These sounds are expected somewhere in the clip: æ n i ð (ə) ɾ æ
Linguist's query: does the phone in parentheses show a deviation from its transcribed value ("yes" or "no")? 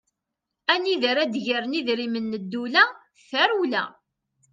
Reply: no